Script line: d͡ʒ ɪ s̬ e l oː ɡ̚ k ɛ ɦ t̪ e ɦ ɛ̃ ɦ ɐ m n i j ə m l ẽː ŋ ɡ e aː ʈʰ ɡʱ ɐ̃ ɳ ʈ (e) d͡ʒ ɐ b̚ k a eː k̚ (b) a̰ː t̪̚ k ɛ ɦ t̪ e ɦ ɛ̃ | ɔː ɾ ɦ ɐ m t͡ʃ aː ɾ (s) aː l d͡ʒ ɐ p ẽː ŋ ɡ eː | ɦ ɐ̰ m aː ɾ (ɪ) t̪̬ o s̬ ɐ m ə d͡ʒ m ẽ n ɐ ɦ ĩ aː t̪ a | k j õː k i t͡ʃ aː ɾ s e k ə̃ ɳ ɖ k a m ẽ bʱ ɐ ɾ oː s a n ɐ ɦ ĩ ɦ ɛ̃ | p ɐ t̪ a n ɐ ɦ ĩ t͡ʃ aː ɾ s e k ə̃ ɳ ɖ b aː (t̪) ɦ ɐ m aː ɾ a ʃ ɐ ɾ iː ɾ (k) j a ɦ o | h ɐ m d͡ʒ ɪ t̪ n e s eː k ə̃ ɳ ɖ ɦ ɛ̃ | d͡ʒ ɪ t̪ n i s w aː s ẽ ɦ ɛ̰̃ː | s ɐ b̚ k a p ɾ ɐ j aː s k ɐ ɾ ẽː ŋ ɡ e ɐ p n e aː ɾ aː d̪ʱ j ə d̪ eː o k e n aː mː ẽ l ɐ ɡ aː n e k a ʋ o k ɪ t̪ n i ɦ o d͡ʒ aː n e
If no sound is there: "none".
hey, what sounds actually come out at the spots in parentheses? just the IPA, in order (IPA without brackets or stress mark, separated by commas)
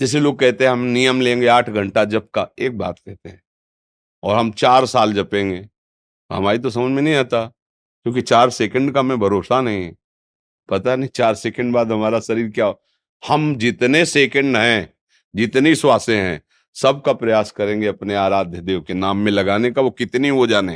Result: a, b, s, i, d̪, k